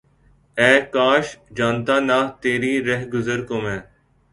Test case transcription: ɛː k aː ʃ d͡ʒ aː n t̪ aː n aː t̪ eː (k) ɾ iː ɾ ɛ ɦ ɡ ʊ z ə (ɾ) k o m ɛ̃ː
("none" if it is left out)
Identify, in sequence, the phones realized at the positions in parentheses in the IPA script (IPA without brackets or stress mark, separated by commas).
none, ɾ